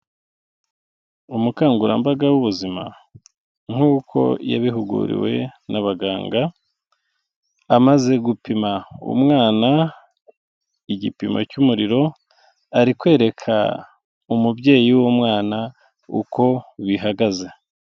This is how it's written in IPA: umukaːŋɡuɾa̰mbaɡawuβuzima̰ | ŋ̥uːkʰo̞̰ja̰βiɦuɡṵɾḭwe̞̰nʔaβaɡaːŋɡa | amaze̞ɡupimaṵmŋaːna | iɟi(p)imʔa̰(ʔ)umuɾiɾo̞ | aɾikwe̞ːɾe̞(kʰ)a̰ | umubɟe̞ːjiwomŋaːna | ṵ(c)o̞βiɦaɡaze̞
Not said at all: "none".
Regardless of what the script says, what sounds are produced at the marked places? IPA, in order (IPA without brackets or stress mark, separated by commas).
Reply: p, c, kʰ, k